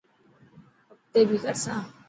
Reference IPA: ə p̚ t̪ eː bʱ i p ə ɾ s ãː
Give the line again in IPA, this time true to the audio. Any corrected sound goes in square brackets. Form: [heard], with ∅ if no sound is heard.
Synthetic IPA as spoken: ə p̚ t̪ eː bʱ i [k] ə ɾ s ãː